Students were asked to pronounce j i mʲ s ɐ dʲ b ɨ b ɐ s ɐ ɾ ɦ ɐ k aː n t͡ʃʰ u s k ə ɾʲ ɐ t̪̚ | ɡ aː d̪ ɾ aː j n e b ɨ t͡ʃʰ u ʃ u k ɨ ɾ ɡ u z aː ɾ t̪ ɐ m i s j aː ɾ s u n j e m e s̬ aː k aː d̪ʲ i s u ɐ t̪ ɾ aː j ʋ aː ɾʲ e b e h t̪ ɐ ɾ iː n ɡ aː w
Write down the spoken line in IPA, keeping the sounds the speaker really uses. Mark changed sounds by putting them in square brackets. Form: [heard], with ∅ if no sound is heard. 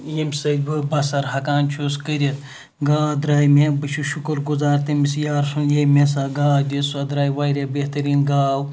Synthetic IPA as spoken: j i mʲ s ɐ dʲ b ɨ b ɐ s ɐ ɾ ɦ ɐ k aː n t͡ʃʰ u s k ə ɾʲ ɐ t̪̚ | ɡ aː d̪ ɾ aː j [m] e b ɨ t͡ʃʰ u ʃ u k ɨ ɾ ɡ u z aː ɾ t̪ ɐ m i s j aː ɾ s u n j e m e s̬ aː [ɡ] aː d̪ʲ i s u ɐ [d̪] ɾ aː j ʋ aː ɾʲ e b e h t̪ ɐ ɾ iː n ɡ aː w